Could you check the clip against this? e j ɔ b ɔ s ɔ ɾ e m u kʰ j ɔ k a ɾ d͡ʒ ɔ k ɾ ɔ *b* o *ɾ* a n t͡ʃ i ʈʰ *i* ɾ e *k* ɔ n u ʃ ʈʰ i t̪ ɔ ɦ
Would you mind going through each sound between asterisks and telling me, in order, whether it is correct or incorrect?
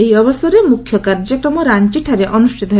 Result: incorrect: m, correct, incorrect: a, incorrect: ʔ

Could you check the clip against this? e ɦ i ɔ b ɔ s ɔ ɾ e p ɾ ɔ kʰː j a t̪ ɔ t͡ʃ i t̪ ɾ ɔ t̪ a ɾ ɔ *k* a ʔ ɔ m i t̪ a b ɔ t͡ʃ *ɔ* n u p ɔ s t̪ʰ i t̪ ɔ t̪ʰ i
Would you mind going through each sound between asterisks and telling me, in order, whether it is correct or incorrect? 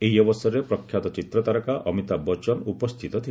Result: correct, correct

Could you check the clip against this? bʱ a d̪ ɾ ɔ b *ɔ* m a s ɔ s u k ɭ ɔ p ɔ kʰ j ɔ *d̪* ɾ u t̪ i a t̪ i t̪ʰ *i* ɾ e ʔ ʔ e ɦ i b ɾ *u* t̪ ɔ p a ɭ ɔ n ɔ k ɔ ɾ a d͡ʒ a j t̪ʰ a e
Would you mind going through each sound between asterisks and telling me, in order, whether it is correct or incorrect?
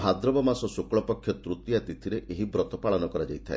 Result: correct, incorrect: t̪, correct, incorrect: ɔ

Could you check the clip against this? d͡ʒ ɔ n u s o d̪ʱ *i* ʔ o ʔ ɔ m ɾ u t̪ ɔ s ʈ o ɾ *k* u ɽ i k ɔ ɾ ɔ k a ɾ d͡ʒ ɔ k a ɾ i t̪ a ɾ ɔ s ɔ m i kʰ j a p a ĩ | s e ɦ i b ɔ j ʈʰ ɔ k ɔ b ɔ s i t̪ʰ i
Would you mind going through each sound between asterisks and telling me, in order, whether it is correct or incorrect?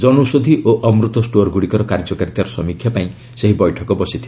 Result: correct, incorrect: ɡ

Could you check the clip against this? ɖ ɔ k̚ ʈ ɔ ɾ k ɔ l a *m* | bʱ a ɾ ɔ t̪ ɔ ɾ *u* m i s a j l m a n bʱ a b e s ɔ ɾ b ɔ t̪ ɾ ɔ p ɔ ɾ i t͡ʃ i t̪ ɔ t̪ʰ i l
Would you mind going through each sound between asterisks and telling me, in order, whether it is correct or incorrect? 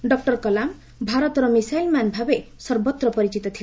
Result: correct, incorrect: ɔ

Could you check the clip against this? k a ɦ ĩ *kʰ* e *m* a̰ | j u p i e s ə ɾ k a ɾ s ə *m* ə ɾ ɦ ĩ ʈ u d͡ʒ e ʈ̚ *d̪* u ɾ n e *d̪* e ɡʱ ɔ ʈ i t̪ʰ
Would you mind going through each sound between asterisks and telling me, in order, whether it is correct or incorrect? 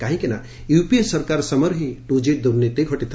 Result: incorrect: k, incorrect: n, correct, correct, incorrect: t̪

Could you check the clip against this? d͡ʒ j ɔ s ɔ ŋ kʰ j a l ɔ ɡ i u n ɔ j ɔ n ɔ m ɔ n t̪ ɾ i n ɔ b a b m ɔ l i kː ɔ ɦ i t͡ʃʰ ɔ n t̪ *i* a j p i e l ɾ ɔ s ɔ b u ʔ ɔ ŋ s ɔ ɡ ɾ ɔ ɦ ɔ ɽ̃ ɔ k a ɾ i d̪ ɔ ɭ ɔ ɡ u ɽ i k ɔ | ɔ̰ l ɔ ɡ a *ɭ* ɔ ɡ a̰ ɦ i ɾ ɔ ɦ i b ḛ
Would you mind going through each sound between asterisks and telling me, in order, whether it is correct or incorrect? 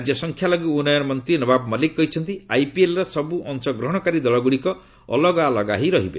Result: correct, incorrect: l

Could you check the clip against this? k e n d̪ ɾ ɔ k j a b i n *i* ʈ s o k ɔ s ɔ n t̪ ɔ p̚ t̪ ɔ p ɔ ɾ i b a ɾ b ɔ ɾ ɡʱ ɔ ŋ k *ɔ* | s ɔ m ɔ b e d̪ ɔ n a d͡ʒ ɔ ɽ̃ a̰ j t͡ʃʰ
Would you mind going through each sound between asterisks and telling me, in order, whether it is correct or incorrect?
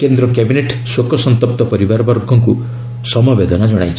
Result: incorrect: e, incorrect: u

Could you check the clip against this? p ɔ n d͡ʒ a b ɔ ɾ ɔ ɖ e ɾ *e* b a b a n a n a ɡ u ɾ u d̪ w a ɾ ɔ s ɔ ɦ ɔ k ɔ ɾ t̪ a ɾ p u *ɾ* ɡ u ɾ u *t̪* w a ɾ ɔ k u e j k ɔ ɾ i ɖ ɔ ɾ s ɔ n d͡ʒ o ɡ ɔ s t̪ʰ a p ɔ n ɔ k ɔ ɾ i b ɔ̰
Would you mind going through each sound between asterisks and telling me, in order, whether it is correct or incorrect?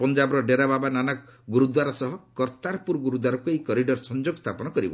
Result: incorrect: a, correct, incorrect: d̪

